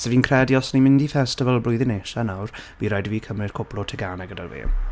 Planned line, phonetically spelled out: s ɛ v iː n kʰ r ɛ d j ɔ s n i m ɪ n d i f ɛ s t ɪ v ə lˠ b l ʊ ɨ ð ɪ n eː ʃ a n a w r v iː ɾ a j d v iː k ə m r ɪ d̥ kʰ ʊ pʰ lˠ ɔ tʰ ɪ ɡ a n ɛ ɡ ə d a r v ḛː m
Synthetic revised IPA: s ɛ v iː n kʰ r ɛ d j ɔ s n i m ɪ n d i f ɛ s t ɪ v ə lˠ b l ʊ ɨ ð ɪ n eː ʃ a n a w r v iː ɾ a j d v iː kʰ ə m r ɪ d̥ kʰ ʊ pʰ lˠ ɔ tʰ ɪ ɡ a n ɛ ɡ ə d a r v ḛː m